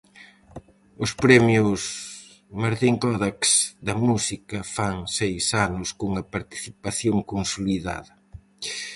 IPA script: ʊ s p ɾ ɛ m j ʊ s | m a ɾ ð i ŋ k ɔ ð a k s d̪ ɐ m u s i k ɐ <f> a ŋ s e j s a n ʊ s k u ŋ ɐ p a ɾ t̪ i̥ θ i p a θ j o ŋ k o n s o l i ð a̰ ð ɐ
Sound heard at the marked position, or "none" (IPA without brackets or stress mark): f